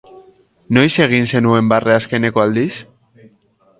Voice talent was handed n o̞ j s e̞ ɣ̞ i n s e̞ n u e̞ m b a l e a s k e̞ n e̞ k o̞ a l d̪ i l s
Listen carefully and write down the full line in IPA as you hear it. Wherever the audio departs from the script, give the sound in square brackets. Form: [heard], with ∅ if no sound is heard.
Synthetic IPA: n o̞ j s e̞ ɣ̞ i n s e̞ n u e̞ m b a [r] e a s k e̞ n e̞ k o̞ a l d̪ i [∅] s